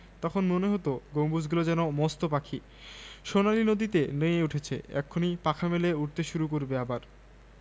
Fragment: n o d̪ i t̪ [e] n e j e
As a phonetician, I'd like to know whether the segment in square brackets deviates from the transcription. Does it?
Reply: no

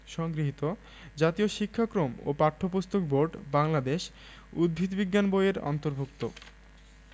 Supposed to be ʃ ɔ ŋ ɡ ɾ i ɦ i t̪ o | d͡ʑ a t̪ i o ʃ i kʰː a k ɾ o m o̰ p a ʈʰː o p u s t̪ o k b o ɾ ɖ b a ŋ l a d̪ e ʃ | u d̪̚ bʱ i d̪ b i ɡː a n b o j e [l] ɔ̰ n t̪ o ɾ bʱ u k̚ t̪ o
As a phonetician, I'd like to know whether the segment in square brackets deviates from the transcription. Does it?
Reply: yes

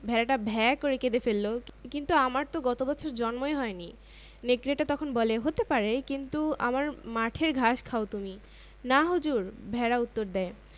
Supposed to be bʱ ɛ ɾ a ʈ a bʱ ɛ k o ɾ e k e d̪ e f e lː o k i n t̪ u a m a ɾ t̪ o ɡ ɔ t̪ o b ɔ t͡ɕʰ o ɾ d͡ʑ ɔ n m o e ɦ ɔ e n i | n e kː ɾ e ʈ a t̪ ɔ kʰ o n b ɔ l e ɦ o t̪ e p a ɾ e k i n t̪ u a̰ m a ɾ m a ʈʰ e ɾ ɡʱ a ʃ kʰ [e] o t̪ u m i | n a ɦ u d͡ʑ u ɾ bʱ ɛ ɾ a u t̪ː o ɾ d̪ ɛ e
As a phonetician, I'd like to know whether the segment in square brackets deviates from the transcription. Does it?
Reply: yes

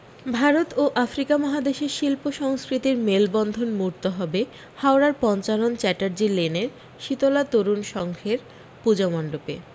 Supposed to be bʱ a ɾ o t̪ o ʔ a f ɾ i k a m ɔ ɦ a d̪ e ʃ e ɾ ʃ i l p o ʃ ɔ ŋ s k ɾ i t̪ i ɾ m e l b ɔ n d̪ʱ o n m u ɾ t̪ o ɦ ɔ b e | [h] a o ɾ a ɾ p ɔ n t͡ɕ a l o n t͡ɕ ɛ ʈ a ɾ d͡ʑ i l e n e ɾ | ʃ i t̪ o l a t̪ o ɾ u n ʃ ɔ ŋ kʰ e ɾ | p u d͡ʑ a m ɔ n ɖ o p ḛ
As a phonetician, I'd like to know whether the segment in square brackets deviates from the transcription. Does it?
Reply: no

